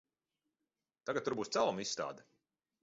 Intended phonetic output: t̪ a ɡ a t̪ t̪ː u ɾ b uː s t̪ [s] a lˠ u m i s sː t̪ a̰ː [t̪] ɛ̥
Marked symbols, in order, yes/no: yes, no

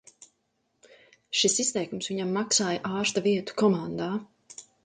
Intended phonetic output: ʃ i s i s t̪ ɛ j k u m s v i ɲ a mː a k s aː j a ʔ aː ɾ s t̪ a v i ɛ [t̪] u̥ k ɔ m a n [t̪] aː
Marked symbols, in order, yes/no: yes, no

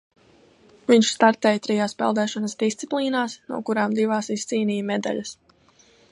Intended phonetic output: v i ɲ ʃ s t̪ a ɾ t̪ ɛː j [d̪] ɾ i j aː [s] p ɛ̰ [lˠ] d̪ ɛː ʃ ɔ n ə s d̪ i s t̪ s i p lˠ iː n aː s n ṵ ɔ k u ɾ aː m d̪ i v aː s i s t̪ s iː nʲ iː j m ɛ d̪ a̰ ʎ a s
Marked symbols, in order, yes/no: no, yes, yes

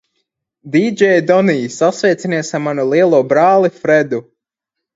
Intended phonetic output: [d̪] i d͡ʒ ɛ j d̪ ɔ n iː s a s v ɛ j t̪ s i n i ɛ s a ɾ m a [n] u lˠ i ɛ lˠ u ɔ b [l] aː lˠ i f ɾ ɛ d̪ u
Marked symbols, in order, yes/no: yes, yes, no

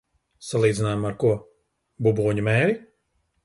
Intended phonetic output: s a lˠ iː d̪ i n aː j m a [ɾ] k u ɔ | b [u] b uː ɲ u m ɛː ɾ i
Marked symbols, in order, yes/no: yes, yes

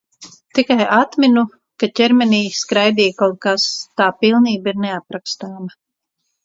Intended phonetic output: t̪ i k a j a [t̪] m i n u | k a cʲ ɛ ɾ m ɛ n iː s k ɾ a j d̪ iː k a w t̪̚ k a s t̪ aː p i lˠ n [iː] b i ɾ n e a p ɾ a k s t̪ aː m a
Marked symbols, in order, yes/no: yes, yes

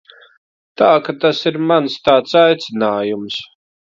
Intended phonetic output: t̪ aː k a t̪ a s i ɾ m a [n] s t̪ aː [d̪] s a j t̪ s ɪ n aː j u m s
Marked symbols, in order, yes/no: yes, no

